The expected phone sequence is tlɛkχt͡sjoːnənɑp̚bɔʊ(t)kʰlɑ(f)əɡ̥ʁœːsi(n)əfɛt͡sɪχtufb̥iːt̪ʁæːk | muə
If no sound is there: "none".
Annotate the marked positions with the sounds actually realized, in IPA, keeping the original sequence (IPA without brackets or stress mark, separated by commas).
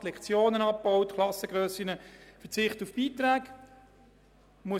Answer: t, s, n